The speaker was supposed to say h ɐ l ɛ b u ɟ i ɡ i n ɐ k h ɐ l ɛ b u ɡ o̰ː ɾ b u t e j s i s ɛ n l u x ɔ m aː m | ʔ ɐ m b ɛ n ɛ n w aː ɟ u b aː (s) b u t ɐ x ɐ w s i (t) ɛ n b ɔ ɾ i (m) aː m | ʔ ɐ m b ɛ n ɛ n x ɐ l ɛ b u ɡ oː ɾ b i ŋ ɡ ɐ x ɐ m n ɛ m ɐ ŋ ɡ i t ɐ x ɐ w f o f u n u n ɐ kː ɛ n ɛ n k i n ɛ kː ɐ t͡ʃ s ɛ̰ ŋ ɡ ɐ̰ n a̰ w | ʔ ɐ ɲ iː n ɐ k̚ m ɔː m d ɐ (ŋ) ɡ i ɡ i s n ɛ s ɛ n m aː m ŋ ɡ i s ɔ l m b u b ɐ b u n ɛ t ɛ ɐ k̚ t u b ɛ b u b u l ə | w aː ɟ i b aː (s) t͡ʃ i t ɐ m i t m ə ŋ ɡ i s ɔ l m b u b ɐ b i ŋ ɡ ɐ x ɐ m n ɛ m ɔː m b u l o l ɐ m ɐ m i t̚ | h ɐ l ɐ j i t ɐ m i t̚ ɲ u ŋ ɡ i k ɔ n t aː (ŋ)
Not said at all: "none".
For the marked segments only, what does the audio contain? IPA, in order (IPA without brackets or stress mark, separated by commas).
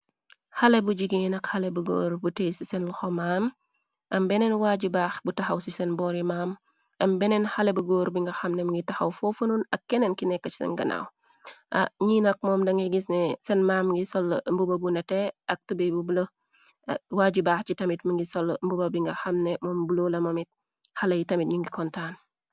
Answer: x, s, m, ŋ, x, n